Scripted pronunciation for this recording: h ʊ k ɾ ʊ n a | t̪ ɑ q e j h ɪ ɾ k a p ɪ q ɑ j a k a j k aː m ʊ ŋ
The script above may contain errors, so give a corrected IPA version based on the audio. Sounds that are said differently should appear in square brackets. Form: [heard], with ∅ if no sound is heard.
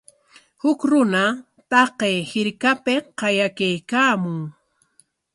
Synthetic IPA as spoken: h ʊ k ɾ ʊ n a | t̪ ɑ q e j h ɪ ɾ k a p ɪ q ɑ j a k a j k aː m ʊ ŋ